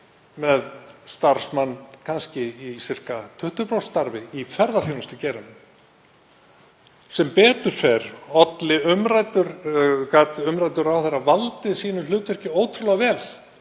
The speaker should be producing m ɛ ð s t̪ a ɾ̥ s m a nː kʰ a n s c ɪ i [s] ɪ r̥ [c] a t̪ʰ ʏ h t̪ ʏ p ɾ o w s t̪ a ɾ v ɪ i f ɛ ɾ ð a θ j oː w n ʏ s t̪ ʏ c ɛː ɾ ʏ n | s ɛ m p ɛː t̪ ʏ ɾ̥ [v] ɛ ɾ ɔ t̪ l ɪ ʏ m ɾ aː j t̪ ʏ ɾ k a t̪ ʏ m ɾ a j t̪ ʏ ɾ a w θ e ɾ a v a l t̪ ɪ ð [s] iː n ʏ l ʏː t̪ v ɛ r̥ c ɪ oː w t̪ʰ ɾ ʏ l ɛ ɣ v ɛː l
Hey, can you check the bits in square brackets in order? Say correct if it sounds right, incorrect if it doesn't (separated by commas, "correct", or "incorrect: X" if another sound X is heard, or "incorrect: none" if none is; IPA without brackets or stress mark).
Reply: correct, incorrect: k, incorrect: f, correct